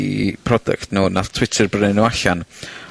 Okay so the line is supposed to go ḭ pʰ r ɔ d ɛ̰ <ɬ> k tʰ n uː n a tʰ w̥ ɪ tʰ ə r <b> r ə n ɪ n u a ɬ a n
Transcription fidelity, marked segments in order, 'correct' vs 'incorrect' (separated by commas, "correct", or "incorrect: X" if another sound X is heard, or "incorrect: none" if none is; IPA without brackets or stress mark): incorrect: none, correct